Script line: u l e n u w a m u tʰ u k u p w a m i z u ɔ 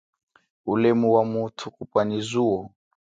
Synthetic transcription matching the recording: u l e m u w a m u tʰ u k u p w a n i z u ɔ